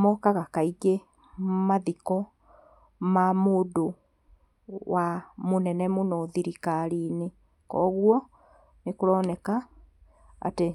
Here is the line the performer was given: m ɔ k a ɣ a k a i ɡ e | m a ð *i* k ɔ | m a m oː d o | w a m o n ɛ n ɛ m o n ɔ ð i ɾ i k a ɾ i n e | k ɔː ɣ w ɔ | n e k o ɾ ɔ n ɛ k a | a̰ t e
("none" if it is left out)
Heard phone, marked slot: i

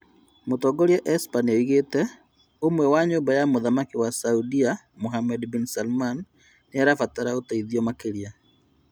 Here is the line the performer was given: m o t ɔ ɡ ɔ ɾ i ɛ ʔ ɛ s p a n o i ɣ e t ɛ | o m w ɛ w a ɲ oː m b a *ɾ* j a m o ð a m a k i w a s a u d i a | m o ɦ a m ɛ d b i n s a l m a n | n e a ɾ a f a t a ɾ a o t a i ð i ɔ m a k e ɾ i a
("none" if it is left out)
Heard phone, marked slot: none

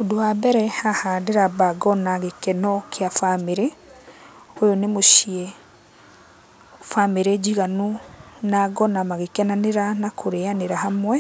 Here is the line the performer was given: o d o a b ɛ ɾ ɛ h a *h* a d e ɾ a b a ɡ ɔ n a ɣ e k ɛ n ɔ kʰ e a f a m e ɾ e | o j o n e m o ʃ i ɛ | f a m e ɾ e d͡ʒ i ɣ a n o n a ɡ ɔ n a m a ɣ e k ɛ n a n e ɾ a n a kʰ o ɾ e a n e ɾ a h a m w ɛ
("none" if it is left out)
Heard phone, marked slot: h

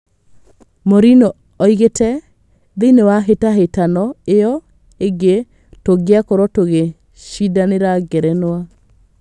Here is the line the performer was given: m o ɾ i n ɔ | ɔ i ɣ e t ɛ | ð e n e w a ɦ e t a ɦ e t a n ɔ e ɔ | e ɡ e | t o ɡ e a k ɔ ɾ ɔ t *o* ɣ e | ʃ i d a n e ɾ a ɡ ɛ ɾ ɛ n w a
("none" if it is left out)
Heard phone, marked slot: o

